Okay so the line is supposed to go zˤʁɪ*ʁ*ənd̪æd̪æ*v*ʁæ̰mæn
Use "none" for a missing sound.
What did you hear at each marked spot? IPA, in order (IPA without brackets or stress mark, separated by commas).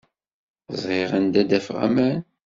ʁ, f